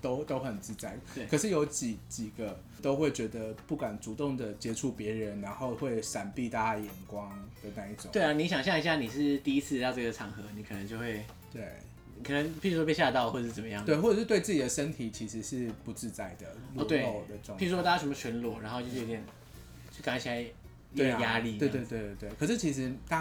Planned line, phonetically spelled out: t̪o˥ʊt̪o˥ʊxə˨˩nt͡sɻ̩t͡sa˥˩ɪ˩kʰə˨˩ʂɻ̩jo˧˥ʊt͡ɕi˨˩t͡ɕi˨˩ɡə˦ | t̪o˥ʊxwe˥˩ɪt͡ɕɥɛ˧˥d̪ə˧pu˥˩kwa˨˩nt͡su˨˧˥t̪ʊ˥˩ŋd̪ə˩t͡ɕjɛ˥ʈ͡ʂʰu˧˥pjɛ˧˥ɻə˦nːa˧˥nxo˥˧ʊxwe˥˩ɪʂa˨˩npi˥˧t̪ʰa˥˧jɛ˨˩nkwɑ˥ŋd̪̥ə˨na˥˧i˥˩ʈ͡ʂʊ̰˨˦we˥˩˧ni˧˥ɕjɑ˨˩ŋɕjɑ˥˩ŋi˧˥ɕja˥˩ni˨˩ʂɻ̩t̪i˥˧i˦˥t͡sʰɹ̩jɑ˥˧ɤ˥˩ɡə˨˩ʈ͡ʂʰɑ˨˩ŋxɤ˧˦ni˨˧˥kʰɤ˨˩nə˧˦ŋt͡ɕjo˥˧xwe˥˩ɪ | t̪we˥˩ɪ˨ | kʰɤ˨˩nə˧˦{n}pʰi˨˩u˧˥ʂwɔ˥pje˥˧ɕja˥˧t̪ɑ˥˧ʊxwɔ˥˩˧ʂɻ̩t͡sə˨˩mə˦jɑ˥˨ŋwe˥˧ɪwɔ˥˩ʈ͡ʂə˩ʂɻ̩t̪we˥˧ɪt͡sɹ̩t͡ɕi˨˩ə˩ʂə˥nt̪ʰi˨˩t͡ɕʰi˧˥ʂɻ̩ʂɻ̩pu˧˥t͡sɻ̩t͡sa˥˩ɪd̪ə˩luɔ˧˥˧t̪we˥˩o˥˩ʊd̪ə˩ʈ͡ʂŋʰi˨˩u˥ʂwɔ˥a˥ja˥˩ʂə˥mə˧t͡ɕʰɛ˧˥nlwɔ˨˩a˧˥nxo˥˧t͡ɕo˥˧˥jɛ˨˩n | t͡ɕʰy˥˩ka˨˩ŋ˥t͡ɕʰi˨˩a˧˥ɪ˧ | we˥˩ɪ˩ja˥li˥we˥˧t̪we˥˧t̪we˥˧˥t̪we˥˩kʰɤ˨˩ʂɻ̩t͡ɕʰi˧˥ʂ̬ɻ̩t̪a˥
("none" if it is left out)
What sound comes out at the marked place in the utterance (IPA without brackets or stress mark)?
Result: ŋ